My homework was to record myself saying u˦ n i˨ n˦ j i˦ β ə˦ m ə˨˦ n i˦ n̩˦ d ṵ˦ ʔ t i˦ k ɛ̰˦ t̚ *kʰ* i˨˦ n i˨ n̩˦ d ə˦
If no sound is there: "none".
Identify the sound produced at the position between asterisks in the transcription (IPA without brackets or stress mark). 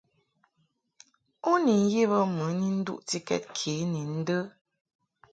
kʰ